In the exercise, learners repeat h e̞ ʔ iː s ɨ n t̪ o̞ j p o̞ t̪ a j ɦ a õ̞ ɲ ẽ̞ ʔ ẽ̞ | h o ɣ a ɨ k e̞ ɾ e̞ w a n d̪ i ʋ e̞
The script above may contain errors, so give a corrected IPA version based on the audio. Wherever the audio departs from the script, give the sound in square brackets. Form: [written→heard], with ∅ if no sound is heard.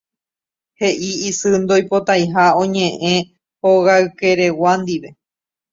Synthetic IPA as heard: h e̞ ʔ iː s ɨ n [t̪→d̪] o̞ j p o̞ t̪ a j ɦ a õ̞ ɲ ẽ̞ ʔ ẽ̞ | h o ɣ a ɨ k e̞ ɾ e̞ w a n d̪ i ʋ e̞